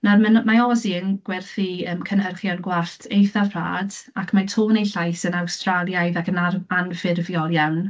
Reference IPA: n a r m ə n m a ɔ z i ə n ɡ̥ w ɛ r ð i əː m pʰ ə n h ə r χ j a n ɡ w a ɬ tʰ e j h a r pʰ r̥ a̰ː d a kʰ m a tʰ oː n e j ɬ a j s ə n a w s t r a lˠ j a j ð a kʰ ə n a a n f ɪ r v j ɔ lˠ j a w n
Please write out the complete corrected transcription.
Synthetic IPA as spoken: n a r m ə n m a ɔ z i ə n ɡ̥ w ɛ r θ i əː m kʰ ə n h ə r χ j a n ɡ w a ɬ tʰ e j θ a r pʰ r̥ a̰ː d a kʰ m a tʰ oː n e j ɬ a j s ə n a w s t r a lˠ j a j ð a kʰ ə n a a n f ɪ r v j ɔ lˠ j a w n